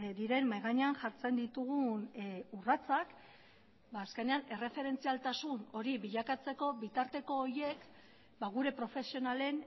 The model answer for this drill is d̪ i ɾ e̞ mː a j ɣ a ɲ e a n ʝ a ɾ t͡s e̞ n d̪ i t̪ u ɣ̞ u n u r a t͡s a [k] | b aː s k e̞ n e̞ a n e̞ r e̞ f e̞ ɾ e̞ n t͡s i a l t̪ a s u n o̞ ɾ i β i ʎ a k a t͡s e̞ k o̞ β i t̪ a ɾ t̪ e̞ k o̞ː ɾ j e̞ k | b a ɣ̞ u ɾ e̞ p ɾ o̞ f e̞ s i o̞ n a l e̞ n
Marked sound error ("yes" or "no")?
no